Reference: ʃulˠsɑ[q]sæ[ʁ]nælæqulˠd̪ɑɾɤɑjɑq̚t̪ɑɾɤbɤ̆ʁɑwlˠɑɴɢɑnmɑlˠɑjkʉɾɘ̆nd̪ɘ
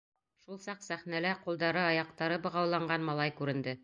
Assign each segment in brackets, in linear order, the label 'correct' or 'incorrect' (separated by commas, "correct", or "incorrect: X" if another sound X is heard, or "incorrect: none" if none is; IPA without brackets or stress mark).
correct, incorrect: χ